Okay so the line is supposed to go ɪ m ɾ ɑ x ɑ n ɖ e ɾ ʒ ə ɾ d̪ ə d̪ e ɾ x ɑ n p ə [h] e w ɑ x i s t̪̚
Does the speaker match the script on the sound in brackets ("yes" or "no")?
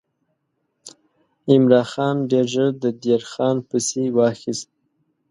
no